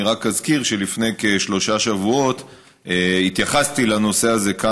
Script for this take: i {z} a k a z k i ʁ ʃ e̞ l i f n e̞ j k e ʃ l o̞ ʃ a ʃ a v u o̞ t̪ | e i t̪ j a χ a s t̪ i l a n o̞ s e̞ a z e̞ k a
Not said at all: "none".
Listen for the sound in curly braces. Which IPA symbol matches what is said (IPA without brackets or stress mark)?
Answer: ʁ